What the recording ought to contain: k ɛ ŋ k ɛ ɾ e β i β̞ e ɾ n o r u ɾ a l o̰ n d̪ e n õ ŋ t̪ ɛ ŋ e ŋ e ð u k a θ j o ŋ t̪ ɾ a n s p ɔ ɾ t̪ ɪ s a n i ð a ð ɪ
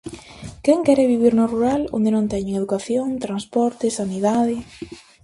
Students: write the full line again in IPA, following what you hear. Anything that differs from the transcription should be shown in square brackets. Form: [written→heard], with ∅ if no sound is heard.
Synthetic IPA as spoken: k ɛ ŋ k ɛ ɾ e β i β̞ [e→i] ɾ n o r u ɾ a l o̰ n d̪ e n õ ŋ t̪ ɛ [ŋ→ɲ] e ŋ e ð u k a θ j o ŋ t̪ ɾ a n s p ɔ ɾ t̪ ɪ s a n i ð a ð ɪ